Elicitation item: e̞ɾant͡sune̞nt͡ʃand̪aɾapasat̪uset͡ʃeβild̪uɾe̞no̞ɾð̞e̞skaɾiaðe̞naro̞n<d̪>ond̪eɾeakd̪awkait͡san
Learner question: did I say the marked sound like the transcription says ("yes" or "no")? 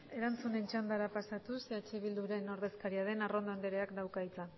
yes